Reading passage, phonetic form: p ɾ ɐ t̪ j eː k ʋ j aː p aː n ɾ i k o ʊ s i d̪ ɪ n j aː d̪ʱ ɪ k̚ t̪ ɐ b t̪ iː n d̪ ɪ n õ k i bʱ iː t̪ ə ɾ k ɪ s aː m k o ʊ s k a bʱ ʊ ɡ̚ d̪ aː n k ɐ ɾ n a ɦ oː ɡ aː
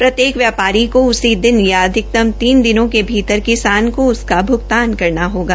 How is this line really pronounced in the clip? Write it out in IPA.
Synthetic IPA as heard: p ɾ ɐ t̪ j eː k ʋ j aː p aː ɾ i k o ʊ s i d̪ ɪ n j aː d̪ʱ ɪ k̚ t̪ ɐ m t̪ iː n d̪ ɪ n õ k e bʱ iː t̪ ə ɾ k ɪ s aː n k o ʊ s k a bʱ ʊ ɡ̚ t̪ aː n k ɐ ɾ n a ɦ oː ɡ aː